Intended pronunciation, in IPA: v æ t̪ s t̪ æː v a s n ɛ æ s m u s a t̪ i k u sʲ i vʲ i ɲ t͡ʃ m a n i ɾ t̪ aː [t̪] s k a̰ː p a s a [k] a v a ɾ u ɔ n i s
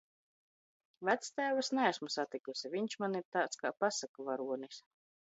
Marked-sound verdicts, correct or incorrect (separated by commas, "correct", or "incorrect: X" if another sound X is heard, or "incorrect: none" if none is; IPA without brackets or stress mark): correct, correct